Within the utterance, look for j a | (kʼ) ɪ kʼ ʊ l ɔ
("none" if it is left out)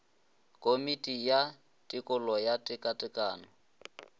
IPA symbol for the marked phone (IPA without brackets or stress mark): tʼ